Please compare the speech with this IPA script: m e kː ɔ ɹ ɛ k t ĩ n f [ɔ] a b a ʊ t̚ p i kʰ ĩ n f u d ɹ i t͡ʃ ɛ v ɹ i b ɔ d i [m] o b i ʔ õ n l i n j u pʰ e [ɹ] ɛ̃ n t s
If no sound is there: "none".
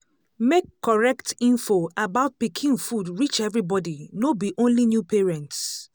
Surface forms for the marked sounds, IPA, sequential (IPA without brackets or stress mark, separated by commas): o, n, ɹ